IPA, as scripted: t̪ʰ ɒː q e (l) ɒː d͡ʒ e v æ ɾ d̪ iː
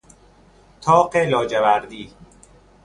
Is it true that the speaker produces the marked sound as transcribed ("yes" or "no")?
yes